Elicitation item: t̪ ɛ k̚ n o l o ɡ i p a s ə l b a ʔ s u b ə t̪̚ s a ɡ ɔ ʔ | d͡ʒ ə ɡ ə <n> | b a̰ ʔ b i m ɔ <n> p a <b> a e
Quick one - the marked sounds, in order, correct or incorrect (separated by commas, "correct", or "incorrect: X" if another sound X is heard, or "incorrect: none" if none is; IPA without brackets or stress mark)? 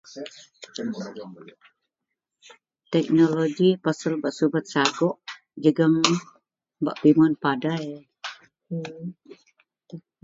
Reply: incorrect: ŋ, correct, incorrect: d